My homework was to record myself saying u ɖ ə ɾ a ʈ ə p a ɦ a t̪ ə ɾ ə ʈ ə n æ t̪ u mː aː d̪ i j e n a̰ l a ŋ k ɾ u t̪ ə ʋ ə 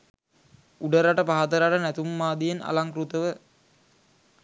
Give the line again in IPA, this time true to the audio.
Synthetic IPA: u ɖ ə ɾ a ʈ ə p a ɦ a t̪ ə ɾ a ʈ ə n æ t̪ u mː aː d̪ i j e n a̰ l a ŋ k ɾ u t̪ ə ʋ ə